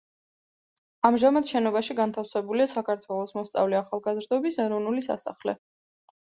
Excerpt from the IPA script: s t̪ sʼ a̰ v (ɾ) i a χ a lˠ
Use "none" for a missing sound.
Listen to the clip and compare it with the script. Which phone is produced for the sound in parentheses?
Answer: l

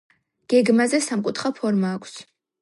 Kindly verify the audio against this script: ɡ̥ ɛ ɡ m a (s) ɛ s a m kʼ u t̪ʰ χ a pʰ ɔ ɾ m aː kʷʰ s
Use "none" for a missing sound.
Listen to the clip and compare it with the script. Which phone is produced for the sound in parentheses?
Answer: z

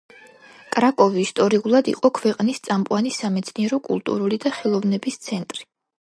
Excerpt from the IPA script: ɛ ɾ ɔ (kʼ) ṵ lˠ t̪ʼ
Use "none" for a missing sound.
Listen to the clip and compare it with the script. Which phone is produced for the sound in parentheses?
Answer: kʼ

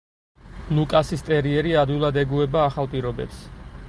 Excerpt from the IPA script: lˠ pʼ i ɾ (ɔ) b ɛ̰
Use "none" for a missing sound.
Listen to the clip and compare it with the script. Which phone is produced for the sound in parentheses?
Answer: ɔ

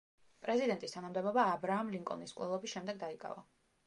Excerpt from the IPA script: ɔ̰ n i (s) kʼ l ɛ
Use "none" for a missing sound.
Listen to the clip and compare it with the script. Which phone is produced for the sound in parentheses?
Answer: s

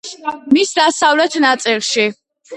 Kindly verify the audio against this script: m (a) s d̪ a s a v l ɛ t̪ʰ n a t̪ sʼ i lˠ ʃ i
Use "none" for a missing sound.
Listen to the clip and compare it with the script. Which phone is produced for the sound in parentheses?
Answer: i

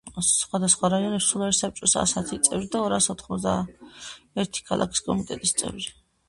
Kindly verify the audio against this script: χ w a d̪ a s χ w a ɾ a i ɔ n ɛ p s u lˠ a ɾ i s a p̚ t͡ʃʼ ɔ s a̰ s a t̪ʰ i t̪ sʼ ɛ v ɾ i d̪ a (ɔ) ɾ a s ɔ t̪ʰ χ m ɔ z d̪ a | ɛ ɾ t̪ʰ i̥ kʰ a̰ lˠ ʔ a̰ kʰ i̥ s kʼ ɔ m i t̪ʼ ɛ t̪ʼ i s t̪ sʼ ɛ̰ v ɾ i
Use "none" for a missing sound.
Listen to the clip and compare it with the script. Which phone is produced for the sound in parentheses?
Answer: ɔ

